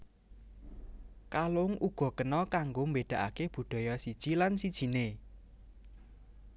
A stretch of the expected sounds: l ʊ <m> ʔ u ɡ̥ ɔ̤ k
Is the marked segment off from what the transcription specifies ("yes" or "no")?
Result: yes